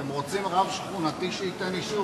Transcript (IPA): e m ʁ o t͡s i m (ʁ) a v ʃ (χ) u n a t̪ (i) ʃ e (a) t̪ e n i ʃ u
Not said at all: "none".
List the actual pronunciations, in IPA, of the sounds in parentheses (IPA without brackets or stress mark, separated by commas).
ʁ, χ, i, i